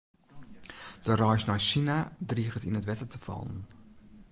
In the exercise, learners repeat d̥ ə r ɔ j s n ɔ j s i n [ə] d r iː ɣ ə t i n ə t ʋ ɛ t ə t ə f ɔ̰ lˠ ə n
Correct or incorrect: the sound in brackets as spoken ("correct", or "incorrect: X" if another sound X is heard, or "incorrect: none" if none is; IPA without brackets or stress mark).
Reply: incorrect: a